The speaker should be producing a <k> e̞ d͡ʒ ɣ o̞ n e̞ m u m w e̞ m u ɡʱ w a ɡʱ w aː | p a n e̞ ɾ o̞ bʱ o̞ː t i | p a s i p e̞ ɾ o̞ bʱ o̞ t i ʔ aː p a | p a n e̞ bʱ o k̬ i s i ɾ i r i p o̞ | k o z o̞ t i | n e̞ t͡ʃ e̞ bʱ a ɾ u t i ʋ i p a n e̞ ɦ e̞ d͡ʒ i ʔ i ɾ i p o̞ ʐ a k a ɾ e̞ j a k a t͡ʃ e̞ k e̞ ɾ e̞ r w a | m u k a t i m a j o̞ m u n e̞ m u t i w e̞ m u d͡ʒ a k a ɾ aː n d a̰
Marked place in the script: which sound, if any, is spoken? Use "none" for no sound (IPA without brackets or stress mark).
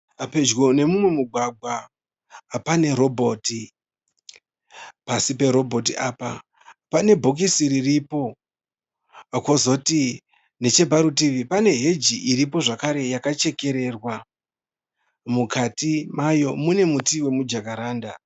p